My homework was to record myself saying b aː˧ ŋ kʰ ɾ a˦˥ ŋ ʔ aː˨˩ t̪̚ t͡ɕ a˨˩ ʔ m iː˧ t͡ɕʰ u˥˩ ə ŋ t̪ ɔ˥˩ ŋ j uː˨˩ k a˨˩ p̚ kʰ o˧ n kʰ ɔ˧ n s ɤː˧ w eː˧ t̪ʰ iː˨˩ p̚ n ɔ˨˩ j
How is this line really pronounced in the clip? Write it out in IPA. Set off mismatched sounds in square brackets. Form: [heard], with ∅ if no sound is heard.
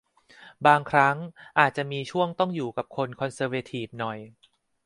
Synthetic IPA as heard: b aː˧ ŋ kʰ ɾ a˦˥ ŋ ʔ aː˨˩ t̪̚ t͡ɕ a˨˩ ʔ m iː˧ t͡ɕʰ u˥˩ ə ŋ t̪ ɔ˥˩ ŋ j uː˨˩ k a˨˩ p̚ kʰ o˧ n kʰ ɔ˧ n s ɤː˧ w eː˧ t̪ʰ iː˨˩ p̚ n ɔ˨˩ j